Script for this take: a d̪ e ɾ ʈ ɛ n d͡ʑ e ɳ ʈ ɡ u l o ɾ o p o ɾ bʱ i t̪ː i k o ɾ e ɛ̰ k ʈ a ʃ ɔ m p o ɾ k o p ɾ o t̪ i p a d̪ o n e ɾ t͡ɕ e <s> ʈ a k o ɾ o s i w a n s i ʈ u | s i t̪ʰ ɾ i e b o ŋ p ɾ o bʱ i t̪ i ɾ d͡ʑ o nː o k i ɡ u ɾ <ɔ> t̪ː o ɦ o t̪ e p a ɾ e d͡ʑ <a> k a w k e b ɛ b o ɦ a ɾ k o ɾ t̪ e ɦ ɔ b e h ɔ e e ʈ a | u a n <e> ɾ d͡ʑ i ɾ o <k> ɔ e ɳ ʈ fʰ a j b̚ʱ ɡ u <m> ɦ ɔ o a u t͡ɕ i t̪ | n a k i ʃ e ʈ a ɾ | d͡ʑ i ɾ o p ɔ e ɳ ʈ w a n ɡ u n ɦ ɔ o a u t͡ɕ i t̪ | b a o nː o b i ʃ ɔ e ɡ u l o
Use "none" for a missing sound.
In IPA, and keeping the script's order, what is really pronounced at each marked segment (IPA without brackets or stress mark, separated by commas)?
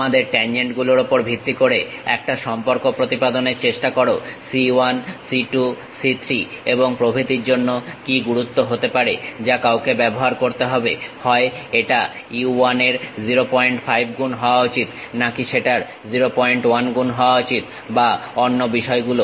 ʃ, u, a, e, p, n